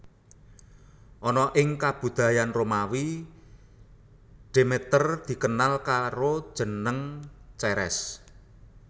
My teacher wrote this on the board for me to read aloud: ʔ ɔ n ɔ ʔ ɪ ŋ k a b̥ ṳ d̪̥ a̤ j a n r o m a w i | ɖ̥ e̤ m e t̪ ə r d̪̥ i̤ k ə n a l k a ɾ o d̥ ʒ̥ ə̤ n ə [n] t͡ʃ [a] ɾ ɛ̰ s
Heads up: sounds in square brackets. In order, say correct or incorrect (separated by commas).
incorrect, incorrect